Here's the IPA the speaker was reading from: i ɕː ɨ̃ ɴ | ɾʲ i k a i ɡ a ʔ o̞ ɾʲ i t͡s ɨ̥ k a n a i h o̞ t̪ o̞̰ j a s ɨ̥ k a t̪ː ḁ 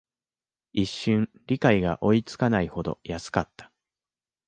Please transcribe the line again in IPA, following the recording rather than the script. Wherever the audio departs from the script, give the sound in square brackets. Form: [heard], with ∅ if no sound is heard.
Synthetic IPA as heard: i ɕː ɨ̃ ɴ | ɾʲ i k a i ɡ a ʔ o̞ [∅] i t͡s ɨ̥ k a n a i h o̞ [d̪] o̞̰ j a s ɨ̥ k a t̪ː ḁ

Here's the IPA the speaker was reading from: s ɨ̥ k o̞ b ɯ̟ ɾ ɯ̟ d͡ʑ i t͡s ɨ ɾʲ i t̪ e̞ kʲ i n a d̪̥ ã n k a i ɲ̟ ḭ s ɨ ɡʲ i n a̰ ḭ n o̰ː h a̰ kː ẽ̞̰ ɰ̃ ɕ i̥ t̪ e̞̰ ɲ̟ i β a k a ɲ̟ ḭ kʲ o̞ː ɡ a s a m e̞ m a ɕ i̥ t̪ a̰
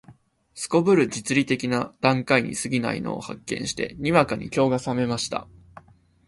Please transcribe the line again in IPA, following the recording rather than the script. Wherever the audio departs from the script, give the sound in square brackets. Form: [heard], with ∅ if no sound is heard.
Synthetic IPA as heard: s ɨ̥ k o̞ b ɯ̟ ɾ ɯ̟ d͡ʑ i t͡s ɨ ɾʲ i t̪ e̞ kʲ i n a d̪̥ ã [ŋ] k a i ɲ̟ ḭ s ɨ ɡʲ i n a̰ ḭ n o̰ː h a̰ kː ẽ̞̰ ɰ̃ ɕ i̥ t̪ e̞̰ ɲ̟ i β a k a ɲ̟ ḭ kʲ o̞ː ɡ a s a m e̞ m a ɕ i̥ t̪ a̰

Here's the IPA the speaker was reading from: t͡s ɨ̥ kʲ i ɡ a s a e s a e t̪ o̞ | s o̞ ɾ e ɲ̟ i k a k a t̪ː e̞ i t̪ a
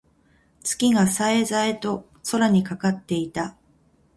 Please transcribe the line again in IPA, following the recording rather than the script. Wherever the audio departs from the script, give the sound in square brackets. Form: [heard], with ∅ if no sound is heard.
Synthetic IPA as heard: t͡s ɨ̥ kʲ i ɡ a s a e [z] a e t̪ o̞ | s o̞ ɾ [a] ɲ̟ i k a k a t̪ː e̞ i t̪ a

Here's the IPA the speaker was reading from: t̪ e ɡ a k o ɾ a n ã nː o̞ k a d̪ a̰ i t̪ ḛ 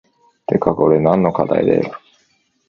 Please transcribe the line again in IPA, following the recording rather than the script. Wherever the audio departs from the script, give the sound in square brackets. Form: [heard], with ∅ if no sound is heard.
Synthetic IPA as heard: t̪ e [k] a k o ɾ [e] n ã nː o̞ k a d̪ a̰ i [d̪] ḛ

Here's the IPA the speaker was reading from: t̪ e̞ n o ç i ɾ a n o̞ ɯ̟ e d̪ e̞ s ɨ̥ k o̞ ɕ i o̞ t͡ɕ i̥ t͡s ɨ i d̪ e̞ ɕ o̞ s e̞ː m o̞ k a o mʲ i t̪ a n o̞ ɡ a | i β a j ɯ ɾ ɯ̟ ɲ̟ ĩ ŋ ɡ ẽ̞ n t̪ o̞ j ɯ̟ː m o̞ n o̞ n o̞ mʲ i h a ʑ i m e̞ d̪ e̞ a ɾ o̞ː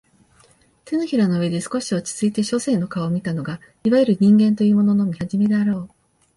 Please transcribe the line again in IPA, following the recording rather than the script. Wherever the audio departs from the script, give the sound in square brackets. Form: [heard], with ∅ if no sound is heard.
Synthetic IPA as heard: t̪ e̞ n o ç i ɾ a n o̞ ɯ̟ e d̪ e̞ s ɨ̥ k o̞ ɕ i o̞ t͡ɕ i̥ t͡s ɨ i [t̪] e̞ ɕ o̞ s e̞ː [n] o̞ k a o mʲ i t̪ a n o̞ ɡ a | i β a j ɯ ɾ ɯ̟ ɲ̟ ĩ ŋ ɡ ẽ̞ n t̪ o̞ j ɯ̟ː m o̞ n o̞ n o̞ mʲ i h a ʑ i m e̞ d̪ e̞ a ɾ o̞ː

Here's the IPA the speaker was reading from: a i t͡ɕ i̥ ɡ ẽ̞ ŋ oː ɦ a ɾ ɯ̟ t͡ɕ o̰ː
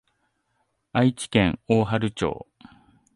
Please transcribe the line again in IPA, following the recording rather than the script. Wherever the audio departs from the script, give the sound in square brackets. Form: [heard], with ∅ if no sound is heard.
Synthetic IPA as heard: a i t͡ɕ i̥ [k] ẽ̞ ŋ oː ɦ a ɾ ɯ̟ t͡ɕ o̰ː

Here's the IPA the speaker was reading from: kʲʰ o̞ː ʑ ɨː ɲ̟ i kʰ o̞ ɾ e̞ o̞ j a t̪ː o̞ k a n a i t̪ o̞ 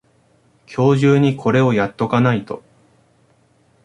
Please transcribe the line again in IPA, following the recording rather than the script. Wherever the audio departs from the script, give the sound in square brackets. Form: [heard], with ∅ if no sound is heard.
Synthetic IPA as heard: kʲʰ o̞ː ʑ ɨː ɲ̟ i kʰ o̞ ɾ e̞ o̞ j a t̪ː o̞ k a n a i t̪ o̞

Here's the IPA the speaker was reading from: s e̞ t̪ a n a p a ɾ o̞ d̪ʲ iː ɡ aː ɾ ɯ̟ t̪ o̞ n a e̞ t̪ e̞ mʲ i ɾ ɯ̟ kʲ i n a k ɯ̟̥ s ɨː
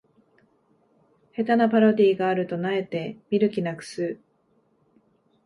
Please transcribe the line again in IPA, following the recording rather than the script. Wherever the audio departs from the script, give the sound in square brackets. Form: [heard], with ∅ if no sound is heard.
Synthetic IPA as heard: [h] e̞ t̪ a n a p a ɾ o̞ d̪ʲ iː ɡ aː ɾ ɯ̟ t̪ o̞ n a e̞ t̪ e̞ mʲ i ɾ ɯ̟ kʲ i n a k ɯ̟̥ s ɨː

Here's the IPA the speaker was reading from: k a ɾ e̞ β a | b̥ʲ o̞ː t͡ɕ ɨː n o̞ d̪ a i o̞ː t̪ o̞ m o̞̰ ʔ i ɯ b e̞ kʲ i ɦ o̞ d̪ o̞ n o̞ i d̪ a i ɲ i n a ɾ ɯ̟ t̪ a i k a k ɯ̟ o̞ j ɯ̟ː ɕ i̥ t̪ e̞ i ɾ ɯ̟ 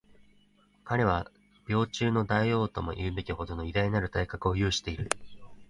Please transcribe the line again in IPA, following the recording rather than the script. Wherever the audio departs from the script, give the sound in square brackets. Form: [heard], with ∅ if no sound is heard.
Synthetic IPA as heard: k a ɾ e̞ β a | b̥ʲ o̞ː t͡ɕ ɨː n o̞ d̪ a i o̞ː t̪ o̞ m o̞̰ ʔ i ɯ b e̞ kʲ i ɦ o̞ d̪ o̞ n o̞ i d̪ a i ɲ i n a ɾ ɯ̟ t̪ a i k a k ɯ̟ o̞ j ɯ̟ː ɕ i̥ t̪ e̞ i ɾ ɯ̟

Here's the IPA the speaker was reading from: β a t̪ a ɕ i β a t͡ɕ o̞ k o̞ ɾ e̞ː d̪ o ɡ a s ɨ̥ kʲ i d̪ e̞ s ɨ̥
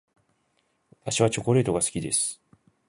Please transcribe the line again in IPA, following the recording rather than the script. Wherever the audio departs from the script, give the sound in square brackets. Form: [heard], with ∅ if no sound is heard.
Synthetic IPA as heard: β a t̪ a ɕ i β a t͡ɕ o̞ k o̞ ɾ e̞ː [t̪] o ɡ a s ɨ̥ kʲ i d̪ e̞ s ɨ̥

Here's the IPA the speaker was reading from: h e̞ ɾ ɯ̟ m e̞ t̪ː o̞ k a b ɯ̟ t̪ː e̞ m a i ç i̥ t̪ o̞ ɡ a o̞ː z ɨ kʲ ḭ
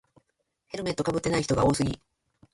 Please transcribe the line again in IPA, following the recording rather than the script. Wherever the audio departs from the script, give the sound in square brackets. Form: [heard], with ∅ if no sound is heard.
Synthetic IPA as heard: h e̞ ɾ ɯ̟ m e̞ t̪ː o̞ k a b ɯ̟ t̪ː e̞ [n] a i ç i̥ t̪ o̞ ɡ a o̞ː [s] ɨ [ɡʲ] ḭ

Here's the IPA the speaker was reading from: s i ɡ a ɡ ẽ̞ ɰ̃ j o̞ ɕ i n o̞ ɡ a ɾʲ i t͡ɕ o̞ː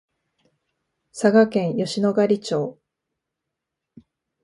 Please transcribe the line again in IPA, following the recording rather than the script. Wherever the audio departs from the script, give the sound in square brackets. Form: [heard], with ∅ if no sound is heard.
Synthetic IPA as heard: s [a] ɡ a [k] ẽ̞ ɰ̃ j o̞ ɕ i n o̞ ɡ a ɾʲ i t͡ɕ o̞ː

